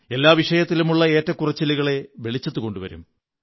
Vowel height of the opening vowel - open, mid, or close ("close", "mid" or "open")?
mid